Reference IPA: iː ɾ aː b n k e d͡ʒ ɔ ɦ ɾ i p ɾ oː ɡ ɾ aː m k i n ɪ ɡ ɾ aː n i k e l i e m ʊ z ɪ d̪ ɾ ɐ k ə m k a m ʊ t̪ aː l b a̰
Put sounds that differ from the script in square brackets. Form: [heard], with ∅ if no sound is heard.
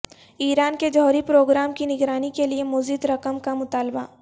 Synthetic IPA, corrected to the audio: iː ɾ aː [∅] n k e d͡ʒ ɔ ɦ ɾ i p ɾ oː ɡ ɾ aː m k i n ɪ ɡ ɾ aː n i k e l i e m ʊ z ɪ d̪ ɾ ɐ k ə m k a m ʊ t̪ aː l b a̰